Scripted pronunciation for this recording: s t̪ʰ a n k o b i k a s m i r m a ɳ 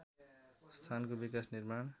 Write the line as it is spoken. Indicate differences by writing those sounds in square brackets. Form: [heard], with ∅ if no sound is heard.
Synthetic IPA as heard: s t̪ʰ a n k o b i k a s [n] i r m a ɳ